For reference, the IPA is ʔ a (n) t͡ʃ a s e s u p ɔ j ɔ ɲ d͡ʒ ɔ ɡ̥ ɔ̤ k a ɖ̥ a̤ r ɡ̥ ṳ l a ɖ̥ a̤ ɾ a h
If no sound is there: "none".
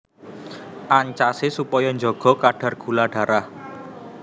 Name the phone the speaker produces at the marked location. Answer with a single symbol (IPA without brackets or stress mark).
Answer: ɲ